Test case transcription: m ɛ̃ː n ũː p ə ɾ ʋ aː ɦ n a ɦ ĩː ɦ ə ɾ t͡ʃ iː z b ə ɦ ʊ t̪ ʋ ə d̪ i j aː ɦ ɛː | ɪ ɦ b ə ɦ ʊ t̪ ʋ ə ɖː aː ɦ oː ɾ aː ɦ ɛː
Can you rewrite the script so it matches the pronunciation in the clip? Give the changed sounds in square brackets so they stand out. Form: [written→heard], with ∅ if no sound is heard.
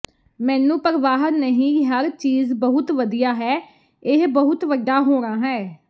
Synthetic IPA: m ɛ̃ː n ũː p ə ɾ ʋ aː ɦ n [a→ə] ɦ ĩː ɦ ə ɾ t͡ʃ iː z b ə ɦ ʊ t̪ ʋ ə d̪ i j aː ɦ ɛː | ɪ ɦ b ə ɦ ʊ t̪ ʋ ə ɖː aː ɦ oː ɾ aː ɦ ɛː